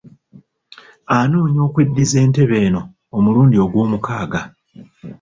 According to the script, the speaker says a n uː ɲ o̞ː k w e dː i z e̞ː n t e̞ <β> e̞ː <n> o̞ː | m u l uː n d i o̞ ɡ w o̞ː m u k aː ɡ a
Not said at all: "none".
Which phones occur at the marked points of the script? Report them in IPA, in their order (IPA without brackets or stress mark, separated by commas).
β, n